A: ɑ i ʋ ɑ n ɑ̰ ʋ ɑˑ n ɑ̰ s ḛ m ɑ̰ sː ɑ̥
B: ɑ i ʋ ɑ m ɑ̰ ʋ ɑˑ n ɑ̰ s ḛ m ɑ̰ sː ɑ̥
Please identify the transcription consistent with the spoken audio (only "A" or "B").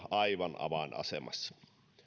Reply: A